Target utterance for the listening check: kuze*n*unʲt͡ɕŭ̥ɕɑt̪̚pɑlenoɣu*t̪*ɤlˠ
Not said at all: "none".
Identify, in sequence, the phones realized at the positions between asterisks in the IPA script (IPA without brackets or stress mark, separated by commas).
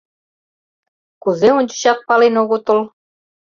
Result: none, t̪